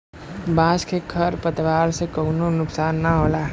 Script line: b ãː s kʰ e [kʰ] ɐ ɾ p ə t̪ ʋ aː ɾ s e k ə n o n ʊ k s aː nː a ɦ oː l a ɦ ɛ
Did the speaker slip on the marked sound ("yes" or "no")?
no